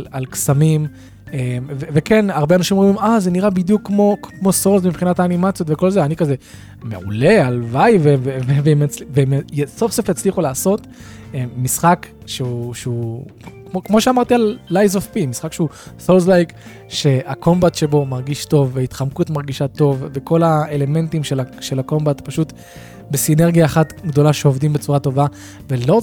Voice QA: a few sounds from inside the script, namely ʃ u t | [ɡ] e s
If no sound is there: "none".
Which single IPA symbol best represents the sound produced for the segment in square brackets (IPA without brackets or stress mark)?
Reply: b